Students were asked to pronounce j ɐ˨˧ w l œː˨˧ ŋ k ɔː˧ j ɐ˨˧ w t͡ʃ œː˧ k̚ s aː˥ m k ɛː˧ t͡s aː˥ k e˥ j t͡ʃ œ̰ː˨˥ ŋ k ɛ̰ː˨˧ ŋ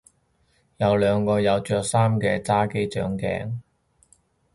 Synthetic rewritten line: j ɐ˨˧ w l œː˨˧ ŋ k ɔː˧ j ɐ˨˧ w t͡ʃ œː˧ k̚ s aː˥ m k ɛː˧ t͡s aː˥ k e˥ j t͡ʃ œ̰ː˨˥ ŋ k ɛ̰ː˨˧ ŋ